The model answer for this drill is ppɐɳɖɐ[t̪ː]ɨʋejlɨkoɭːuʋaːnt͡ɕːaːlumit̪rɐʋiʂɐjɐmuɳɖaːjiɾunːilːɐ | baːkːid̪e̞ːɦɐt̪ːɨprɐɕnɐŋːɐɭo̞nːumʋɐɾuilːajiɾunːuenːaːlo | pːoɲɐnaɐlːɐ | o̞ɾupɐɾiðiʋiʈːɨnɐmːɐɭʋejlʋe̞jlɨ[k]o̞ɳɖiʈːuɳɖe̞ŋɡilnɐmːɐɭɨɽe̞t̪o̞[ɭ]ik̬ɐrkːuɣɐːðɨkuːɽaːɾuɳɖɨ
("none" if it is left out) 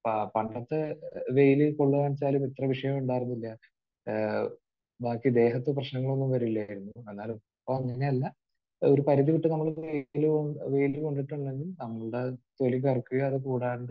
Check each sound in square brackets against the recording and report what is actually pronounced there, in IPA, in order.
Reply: t̪ː, k, l

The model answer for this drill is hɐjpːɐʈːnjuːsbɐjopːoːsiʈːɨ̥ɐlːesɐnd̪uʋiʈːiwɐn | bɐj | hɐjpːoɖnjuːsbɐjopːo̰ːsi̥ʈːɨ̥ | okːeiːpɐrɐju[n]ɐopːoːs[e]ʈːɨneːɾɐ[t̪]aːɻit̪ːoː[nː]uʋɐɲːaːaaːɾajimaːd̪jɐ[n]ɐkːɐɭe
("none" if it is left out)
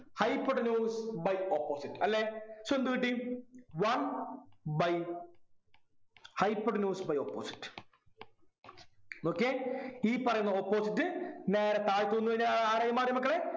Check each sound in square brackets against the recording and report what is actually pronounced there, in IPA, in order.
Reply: nː, i, t̪, nː, m

